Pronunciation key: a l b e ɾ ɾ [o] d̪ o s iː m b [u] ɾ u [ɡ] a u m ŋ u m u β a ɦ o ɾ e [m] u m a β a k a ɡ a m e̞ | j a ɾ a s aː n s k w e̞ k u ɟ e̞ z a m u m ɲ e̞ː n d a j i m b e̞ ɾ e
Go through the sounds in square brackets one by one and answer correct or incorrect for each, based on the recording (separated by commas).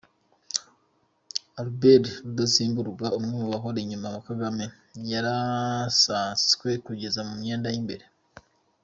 incorrect, correct, correct, incorrect